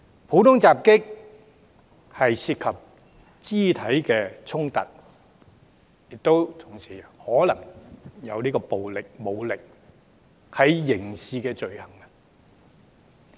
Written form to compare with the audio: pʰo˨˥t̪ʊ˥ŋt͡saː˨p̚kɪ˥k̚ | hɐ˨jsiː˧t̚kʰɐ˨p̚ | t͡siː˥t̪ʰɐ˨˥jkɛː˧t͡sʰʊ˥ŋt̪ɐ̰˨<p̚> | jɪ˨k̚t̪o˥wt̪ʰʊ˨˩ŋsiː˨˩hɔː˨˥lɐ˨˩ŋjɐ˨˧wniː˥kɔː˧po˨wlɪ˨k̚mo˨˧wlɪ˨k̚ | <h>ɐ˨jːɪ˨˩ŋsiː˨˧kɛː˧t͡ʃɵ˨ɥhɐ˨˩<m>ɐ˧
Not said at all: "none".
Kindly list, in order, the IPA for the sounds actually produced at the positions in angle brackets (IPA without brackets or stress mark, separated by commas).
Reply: t̚, h, ŋ